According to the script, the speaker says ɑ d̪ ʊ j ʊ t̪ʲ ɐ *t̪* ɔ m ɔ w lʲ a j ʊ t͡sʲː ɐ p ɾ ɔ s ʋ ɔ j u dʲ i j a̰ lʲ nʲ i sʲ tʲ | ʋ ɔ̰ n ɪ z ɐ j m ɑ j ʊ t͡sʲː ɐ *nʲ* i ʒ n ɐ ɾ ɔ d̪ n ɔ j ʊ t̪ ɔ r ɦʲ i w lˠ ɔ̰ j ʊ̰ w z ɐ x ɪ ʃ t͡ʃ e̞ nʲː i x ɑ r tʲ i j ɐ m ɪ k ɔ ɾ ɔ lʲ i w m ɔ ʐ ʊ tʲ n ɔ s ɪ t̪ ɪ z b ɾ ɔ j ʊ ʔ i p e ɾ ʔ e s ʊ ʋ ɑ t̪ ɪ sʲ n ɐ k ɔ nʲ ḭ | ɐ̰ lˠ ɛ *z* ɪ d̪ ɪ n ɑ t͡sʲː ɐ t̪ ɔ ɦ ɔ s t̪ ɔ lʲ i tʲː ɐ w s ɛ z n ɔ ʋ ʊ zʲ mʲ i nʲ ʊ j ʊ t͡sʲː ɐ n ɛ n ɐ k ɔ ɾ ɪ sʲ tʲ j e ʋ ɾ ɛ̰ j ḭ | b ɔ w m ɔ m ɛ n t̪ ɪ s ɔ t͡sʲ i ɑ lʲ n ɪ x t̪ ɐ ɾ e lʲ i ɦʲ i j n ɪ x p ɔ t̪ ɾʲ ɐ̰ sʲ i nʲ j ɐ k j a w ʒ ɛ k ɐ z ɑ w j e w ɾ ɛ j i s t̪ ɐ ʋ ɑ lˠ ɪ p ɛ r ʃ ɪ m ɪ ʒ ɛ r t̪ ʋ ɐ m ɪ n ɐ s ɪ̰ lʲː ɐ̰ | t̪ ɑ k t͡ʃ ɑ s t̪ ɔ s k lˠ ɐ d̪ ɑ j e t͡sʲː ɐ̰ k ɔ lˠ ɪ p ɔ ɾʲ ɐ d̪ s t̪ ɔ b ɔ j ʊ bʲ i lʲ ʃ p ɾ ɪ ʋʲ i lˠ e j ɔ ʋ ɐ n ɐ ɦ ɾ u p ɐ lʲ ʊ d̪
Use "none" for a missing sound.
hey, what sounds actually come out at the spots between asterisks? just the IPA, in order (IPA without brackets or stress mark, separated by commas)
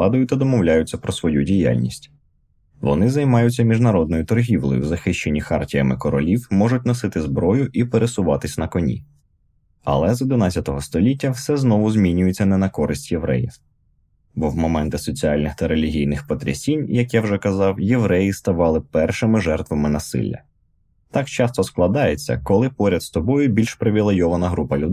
d̪, mʲ, z